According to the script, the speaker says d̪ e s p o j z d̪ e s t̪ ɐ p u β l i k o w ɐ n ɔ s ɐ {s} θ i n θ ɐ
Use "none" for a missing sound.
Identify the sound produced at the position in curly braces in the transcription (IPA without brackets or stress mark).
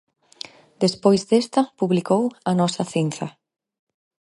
none